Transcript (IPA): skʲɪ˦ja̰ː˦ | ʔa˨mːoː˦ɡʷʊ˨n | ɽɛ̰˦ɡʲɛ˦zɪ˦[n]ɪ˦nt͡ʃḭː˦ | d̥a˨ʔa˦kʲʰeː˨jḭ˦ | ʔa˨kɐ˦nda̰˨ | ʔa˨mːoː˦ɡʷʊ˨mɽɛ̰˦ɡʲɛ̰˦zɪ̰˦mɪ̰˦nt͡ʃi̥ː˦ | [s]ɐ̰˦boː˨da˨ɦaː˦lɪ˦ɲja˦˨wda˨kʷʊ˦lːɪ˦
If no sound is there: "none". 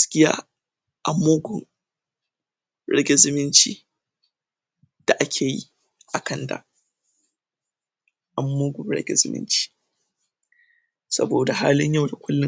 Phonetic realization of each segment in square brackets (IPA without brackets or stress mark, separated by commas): m, s